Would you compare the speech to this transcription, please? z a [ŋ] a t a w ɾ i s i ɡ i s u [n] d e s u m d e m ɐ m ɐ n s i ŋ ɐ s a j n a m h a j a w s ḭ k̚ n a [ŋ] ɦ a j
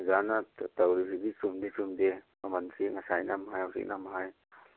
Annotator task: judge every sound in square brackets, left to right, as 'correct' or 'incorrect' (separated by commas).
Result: incorrect, incorrect, incorrect